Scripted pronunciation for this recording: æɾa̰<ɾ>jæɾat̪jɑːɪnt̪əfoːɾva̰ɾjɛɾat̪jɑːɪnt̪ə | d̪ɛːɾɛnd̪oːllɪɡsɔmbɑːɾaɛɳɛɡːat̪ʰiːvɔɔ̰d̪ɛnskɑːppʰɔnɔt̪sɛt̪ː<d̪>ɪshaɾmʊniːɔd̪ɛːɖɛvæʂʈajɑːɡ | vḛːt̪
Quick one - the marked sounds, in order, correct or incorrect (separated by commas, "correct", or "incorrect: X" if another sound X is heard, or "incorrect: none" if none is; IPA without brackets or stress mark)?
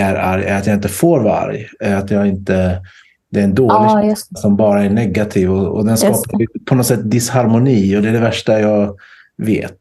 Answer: correct, correct